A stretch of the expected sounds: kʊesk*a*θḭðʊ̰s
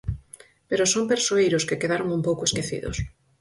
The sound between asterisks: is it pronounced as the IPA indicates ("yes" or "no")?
no